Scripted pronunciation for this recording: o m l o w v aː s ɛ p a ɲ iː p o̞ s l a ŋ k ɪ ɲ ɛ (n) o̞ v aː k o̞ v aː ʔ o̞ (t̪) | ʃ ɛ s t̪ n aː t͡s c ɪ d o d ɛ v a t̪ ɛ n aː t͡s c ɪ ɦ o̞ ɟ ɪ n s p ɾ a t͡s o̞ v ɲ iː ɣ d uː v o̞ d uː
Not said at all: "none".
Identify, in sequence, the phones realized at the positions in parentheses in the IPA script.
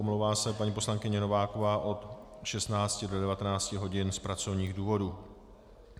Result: n, t̪

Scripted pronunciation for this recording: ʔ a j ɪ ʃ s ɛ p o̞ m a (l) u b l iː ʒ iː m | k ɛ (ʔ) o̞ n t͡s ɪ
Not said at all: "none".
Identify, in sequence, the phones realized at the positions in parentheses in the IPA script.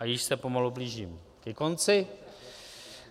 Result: l, k

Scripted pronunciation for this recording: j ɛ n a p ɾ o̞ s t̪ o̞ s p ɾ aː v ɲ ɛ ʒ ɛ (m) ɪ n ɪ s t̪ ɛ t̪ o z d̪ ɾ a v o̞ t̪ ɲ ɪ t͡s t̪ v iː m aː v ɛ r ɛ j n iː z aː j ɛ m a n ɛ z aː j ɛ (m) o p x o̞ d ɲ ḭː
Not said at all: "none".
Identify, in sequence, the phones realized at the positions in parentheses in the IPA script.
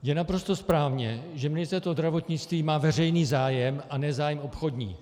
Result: m, m

